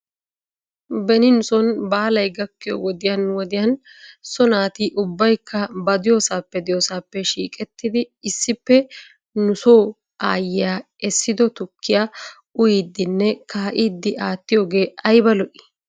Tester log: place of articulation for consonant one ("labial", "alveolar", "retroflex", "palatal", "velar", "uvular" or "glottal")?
labial